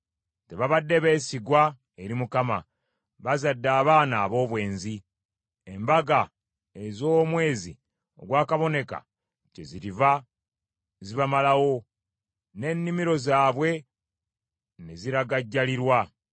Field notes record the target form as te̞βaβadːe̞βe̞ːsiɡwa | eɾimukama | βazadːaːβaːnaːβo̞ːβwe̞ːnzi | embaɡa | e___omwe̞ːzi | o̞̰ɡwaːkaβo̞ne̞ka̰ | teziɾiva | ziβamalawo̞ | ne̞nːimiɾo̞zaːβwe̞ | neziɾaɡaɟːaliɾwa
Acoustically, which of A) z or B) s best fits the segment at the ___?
A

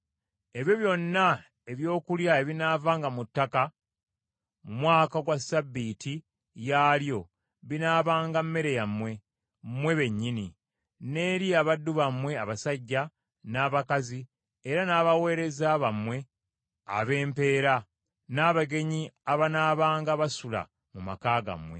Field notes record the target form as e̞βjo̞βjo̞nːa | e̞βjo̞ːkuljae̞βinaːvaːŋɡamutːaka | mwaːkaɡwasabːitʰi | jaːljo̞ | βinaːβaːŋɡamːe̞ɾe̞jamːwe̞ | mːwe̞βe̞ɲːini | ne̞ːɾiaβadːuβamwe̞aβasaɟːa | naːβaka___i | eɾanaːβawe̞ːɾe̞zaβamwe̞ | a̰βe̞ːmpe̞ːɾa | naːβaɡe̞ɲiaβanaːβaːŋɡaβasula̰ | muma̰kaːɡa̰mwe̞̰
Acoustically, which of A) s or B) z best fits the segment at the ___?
B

